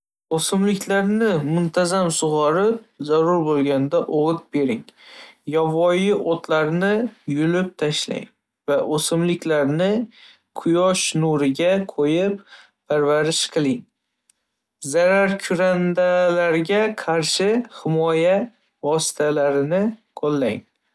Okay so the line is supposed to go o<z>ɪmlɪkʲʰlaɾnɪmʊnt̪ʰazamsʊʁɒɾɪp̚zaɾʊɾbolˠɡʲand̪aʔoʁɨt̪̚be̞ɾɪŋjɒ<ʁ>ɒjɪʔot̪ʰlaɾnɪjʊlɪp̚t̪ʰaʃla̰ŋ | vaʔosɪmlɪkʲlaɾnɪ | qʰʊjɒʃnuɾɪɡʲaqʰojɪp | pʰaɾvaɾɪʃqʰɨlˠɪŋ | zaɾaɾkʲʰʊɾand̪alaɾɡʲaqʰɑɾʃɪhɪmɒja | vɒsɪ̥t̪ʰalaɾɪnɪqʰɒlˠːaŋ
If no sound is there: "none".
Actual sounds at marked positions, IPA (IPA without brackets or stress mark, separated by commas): s, v